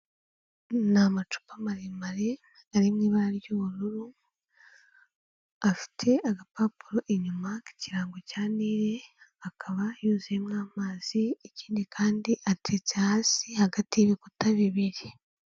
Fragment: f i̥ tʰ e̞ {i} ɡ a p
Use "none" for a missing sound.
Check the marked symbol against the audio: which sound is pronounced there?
a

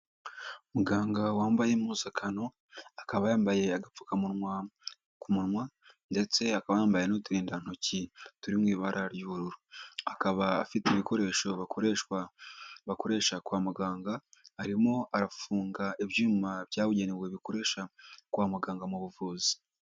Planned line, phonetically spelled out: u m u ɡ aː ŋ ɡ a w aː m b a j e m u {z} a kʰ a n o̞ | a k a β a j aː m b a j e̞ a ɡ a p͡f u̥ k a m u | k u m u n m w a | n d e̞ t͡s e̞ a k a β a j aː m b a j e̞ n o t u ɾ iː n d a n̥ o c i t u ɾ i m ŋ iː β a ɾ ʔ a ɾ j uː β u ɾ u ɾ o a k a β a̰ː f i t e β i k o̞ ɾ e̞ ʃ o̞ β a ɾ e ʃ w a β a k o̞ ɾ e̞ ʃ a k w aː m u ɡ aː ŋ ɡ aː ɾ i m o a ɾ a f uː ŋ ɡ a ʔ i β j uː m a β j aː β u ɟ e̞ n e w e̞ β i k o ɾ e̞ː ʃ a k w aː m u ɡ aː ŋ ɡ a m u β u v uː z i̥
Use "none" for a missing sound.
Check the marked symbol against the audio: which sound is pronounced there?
z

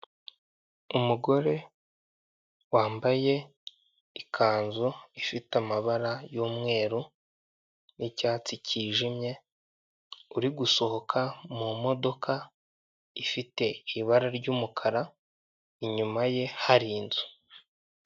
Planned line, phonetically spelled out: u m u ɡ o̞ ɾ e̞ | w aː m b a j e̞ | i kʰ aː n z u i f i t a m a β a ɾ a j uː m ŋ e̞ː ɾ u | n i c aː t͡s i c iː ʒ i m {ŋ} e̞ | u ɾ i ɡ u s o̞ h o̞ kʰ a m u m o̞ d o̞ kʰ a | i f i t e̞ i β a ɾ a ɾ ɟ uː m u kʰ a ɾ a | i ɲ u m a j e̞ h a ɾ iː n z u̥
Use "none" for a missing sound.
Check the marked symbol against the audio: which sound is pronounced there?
ɲ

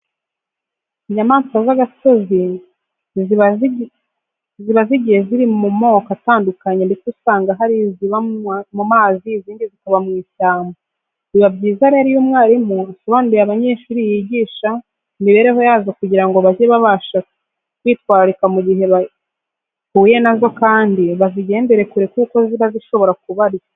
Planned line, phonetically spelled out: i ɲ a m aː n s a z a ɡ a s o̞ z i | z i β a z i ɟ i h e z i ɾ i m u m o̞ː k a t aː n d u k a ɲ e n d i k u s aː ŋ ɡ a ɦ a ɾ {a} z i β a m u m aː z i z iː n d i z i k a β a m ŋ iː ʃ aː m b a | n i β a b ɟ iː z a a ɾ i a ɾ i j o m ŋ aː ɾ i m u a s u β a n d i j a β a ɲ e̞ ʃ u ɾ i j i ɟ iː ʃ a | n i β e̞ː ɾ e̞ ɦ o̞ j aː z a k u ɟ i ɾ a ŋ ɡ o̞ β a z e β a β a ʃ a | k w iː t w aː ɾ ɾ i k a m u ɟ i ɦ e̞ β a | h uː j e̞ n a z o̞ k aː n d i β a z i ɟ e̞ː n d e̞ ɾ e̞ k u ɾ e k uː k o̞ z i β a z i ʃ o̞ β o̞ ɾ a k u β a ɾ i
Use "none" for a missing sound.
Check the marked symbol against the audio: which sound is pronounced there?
i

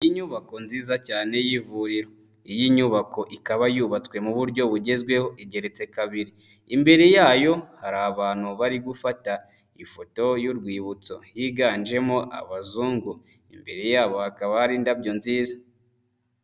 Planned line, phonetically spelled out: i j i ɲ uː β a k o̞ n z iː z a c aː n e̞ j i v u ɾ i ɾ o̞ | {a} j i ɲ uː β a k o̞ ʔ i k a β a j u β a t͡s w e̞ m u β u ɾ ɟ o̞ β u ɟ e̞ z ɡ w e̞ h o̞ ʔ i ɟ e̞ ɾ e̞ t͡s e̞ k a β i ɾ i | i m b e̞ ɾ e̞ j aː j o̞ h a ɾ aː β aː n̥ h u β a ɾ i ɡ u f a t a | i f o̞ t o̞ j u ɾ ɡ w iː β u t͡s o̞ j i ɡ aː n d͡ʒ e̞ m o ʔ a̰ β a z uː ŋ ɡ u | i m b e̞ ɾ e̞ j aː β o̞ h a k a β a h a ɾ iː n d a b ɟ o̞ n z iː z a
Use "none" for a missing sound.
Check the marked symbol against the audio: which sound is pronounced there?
i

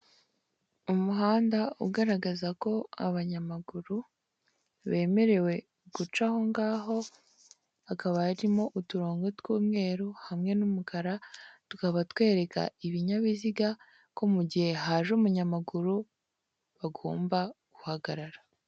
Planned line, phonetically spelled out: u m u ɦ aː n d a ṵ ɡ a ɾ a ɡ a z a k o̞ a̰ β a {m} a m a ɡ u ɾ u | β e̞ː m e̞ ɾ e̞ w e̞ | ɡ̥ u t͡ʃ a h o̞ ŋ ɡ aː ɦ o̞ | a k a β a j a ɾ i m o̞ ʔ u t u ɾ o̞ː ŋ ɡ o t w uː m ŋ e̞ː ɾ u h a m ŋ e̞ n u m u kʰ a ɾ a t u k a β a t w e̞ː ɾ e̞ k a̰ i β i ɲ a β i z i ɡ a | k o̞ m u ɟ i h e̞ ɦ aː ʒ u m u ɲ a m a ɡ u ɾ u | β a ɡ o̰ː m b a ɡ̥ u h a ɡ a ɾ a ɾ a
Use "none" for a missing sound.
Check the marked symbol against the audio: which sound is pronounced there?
ɲ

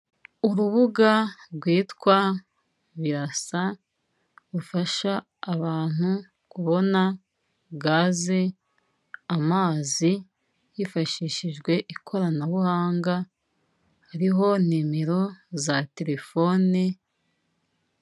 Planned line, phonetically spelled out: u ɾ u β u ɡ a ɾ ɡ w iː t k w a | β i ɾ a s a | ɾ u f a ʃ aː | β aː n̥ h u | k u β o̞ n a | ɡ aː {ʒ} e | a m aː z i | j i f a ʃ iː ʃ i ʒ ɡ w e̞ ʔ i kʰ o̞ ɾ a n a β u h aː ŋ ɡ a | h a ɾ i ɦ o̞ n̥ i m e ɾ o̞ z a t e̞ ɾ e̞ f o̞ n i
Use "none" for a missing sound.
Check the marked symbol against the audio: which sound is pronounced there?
z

